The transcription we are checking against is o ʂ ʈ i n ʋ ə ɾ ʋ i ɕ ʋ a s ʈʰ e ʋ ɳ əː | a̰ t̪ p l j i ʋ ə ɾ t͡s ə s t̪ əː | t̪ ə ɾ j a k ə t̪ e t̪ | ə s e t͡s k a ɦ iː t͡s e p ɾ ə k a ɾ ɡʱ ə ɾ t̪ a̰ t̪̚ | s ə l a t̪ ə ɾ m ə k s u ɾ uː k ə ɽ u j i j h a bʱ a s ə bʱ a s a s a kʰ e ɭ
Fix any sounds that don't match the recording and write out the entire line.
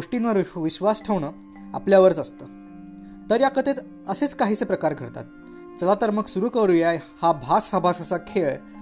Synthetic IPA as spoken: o ʂ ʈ i n ʋ ə ɾ ʋ i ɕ ʋ a s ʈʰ e ʋ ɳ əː | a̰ p l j a ʋ ə ɾ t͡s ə s t̪ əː | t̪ ə ɾ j a k ə t̪ e t̪ | ə s e t͡s k a ɦ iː t͡s e p ɾ ə k a ɾ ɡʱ ə ɾ t̪ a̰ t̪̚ | t͡s ə l a t̪ ə ɾ m ə k s u ɾ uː k ə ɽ u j a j h a bʱ a s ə bʱ a s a s a kʰ e ɭ